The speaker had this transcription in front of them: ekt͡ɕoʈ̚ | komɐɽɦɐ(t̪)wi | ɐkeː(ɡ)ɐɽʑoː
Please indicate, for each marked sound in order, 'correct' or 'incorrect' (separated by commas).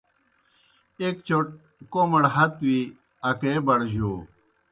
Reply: correct, incorrect